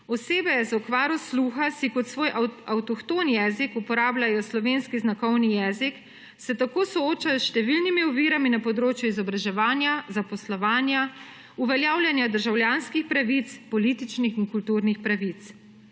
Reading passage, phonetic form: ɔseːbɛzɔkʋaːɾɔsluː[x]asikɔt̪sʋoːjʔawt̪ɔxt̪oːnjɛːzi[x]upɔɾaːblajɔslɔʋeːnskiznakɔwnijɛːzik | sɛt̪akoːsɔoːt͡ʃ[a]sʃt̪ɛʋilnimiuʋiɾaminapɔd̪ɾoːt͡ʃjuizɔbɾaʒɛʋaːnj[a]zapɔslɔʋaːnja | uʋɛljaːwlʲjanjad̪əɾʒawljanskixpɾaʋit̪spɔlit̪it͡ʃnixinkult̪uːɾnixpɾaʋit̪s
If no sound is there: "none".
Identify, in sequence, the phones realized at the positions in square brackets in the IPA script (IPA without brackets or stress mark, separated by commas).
x, k, a, a